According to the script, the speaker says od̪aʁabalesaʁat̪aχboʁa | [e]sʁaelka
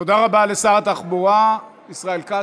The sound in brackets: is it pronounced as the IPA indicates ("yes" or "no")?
no